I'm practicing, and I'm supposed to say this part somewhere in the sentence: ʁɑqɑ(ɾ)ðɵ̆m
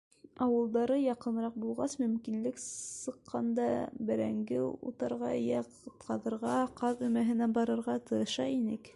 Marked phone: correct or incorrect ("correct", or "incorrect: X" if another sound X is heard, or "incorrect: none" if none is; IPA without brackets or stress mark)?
incorrect: none